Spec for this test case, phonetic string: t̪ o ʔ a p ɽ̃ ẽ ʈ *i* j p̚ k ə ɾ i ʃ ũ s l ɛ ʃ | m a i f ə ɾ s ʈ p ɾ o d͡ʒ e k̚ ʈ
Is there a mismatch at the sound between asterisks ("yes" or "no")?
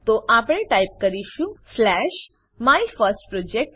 yes